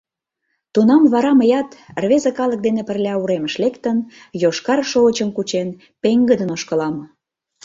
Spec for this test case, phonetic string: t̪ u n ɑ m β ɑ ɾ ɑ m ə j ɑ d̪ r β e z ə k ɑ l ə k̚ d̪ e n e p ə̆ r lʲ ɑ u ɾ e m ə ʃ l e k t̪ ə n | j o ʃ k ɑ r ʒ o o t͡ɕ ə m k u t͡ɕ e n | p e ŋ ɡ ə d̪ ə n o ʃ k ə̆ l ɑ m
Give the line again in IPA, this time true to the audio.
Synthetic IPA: t̪ u n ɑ m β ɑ ɾ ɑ m ə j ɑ t̪ r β e z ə k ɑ l ə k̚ d̪ e n e p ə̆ r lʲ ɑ u ɾ e m ə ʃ l e k t̪ ə n | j o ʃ k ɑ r ʃ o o t͡ɕ ə m k u t͡ɕ e n | p e ŋ ɡ ə d̪ ə n o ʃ k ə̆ l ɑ m